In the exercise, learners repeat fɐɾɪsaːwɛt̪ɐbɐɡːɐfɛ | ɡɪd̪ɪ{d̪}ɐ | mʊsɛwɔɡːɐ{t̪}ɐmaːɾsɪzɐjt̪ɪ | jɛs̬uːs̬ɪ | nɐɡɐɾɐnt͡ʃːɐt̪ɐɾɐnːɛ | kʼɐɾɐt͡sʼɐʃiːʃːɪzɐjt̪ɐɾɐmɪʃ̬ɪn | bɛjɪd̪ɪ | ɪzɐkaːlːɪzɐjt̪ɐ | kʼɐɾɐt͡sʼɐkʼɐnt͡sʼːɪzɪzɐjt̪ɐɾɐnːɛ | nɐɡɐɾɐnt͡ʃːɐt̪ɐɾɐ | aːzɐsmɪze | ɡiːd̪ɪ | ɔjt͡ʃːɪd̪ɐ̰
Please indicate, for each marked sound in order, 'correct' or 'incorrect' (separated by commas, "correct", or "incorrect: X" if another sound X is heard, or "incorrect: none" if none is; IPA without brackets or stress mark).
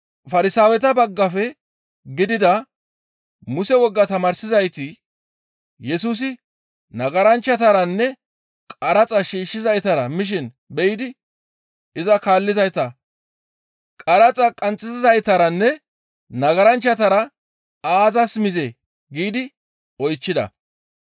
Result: correct, correct